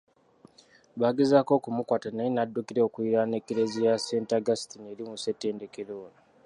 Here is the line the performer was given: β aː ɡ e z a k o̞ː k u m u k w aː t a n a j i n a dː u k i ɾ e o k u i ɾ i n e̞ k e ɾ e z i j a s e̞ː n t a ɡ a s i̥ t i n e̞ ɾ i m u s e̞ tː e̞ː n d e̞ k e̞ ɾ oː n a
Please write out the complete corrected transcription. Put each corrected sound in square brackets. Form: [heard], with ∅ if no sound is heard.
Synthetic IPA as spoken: β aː ɡ e z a k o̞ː k u m u k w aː t a n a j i n a dː u k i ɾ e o k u i ɾ [a] n e̞ k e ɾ e z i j a s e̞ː n t a ɡ a s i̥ t i n e̞ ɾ i m u s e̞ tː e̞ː n d e̞ k e̞ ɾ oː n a

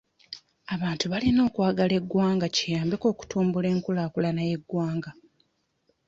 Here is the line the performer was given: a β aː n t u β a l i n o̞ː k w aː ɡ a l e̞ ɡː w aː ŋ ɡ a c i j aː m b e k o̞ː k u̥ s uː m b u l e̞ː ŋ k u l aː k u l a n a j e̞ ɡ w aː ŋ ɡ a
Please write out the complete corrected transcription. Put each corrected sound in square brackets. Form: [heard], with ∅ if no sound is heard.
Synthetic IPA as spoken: a β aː n t u β a l i n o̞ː k w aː ɡ a l e̞ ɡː w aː ŋ ɡ a c i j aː m b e k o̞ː k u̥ [t] uː m b u l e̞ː ŋ k u l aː k u l a n a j e̞ ɡ w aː ŋ ɡ a

